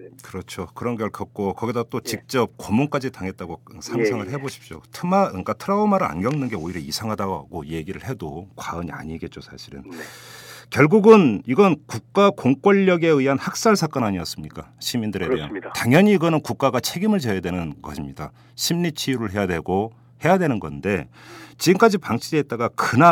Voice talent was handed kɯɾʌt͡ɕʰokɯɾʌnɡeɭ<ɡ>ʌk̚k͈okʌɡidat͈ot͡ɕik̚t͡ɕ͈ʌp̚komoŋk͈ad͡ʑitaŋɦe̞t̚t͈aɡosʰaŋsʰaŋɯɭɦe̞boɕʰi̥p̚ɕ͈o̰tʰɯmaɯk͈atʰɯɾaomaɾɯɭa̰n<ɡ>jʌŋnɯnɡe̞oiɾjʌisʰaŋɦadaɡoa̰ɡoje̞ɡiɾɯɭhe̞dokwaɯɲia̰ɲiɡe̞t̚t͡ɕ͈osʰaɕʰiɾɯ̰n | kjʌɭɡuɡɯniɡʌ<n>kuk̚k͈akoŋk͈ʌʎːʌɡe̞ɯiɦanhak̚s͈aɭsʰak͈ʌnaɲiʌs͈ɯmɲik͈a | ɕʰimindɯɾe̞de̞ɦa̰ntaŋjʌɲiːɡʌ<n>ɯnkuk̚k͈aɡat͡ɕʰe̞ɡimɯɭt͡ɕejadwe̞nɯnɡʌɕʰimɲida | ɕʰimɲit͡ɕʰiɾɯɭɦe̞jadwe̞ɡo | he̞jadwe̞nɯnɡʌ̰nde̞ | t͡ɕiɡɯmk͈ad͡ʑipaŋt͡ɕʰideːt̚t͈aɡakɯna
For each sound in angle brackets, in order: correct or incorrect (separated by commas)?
incorrect, correct, correct, correct